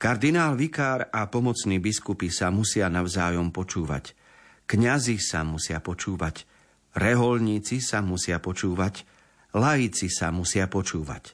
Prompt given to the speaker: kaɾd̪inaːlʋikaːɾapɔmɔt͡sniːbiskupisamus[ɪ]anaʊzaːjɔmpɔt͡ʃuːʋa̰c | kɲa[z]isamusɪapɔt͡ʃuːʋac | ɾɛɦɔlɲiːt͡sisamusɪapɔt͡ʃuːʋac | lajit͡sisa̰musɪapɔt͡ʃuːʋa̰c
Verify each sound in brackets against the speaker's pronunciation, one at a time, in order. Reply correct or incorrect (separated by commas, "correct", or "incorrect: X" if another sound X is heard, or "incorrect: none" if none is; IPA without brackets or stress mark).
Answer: correct, correct